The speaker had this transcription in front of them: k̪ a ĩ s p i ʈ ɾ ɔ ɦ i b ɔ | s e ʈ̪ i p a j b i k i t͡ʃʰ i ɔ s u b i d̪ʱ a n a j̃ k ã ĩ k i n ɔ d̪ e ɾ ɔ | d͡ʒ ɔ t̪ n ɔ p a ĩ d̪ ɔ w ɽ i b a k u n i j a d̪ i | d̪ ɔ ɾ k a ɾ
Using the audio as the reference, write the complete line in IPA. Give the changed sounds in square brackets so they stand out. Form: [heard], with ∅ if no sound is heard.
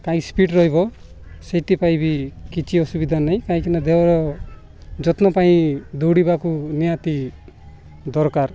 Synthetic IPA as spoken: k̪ a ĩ s p i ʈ ɾ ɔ ɦ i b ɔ | s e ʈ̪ i p a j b i k i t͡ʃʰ i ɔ s u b i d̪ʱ a n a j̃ k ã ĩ k i n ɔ d̪ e ɾ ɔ | d͡ʒ ɔ t̪ n ɔ p a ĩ d̪ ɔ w ɽ i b a k u n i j a [t̪] i | d̪ ɔ ɾ k a ɾ